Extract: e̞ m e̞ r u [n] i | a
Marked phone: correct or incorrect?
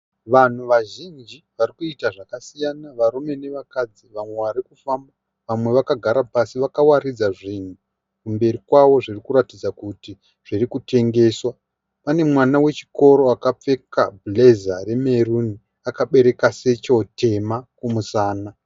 correct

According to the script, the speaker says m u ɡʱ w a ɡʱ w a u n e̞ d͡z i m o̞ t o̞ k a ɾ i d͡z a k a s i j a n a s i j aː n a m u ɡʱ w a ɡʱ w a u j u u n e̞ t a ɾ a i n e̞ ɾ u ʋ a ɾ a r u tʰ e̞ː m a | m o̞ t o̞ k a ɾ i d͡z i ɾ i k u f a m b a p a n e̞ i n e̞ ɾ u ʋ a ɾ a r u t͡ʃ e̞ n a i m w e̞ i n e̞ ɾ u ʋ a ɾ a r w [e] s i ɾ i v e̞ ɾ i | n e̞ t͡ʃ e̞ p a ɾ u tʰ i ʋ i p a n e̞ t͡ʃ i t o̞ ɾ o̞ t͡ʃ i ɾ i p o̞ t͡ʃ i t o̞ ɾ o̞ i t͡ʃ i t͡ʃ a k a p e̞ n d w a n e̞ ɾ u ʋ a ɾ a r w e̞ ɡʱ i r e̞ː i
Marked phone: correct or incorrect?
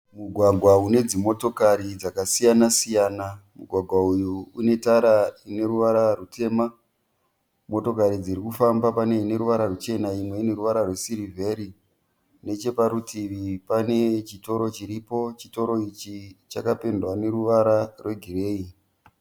correct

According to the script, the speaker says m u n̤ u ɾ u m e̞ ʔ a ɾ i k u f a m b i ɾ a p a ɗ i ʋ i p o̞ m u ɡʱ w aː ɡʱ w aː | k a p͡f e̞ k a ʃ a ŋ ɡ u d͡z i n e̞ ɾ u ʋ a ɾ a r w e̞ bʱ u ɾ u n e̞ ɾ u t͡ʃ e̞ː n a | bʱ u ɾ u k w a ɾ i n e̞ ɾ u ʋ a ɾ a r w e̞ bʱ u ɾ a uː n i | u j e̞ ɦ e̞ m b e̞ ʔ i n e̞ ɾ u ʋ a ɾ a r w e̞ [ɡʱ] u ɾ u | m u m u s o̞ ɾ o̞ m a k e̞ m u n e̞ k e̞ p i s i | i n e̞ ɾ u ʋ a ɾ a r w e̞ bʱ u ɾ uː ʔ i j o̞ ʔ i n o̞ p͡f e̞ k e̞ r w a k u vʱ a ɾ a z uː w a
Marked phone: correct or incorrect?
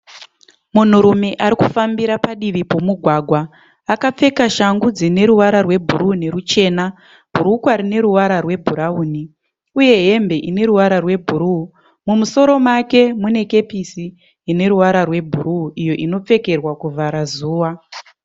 incorrect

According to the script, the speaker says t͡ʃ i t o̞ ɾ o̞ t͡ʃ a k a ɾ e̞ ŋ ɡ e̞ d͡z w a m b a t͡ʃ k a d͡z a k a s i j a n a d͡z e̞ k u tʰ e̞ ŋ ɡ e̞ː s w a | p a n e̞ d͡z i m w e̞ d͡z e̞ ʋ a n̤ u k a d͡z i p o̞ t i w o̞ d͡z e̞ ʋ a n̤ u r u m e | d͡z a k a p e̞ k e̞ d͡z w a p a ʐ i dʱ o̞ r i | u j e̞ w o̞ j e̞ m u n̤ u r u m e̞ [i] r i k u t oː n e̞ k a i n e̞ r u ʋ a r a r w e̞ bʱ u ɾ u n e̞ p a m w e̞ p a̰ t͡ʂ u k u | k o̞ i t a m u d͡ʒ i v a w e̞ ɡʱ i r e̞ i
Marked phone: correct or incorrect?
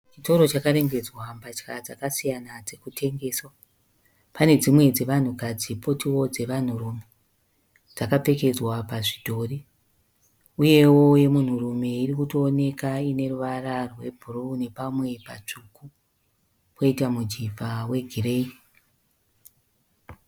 correct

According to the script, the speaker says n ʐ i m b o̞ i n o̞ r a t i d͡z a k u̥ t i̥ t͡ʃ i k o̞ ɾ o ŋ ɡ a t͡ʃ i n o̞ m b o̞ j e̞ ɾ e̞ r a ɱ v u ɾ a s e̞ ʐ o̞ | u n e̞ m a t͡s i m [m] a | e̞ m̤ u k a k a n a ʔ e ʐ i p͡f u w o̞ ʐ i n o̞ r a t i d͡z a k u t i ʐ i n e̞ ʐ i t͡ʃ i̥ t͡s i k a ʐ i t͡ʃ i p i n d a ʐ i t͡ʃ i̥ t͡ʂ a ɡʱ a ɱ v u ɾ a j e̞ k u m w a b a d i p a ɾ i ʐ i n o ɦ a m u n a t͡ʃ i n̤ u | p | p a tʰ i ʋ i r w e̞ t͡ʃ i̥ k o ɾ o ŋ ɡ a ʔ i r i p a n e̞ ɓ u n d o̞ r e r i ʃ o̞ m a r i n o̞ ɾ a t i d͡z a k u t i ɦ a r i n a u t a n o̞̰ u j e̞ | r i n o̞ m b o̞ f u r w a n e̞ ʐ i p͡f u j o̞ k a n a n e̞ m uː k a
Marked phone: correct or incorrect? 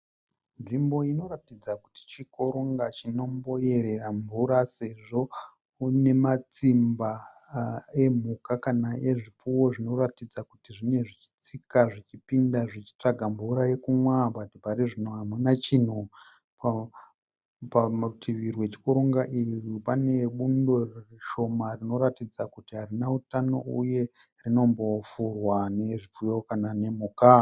incorrect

